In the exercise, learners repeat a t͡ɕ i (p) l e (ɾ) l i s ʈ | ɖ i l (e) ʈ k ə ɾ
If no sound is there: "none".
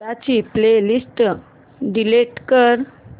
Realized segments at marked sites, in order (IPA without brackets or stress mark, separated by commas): p, none, e